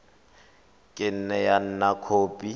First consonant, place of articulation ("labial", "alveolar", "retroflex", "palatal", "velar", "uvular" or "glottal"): velar